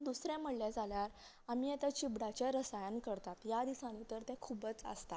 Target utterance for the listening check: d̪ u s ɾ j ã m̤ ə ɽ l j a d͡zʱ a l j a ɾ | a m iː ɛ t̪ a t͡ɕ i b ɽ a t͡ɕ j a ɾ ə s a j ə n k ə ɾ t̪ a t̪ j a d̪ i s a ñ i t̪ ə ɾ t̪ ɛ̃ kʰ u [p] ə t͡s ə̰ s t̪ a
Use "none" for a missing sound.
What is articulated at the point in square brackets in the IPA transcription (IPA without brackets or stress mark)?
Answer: b